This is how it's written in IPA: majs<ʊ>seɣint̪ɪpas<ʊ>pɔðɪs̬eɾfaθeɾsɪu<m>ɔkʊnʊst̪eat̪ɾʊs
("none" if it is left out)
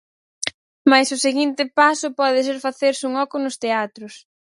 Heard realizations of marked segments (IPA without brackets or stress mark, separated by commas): ʊ, ʊ, ŋ